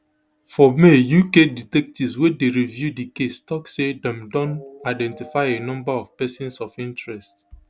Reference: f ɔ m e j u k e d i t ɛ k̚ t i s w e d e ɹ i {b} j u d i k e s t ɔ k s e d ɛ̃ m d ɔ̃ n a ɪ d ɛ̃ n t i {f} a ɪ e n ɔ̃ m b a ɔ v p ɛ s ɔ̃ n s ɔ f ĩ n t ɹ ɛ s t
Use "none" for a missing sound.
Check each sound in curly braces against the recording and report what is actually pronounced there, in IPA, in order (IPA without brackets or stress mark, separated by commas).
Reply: v, f